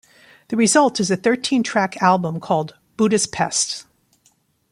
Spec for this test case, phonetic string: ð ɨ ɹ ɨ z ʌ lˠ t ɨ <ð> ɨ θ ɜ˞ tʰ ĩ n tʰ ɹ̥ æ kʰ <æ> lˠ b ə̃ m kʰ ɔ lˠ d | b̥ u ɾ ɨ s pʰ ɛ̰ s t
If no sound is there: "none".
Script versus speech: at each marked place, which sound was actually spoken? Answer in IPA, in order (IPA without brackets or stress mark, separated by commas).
z, æ